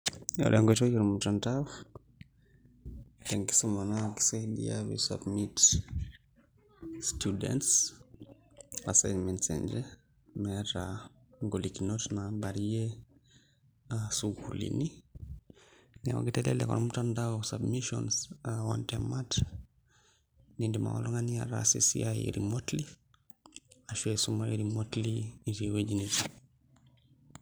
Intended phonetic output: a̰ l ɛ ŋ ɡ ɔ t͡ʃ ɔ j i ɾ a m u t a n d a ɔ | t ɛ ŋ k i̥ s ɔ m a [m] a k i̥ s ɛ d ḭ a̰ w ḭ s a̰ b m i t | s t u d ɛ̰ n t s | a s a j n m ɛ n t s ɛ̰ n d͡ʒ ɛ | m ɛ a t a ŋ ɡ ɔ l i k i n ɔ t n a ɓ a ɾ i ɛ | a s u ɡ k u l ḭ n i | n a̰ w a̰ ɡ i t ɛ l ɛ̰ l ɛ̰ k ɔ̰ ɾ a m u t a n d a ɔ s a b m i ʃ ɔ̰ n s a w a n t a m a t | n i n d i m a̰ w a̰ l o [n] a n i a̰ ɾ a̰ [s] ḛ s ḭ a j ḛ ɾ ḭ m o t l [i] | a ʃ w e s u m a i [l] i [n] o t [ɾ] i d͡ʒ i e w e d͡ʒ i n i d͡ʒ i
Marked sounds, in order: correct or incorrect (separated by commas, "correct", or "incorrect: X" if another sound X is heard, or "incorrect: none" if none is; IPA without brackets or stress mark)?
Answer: incorrect: n, incorrect: ŋ, correct, correct, incorrect: ɾ, incorrect: m, incorrect: l